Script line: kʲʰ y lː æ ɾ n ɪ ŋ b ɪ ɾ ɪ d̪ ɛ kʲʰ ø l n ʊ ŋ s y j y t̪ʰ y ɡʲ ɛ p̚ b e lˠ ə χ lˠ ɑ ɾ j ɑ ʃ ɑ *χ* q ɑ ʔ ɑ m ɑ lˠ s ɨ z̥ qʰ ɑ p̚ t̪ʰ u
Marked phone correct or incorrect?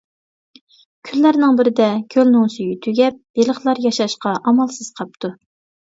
incorrect